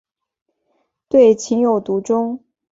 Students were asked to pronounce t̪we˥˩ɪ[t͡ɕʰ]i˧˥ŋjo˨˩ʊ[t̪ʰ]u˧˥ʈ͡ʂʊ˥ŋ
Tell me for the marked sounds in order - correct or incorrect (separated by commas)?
correct, incorrect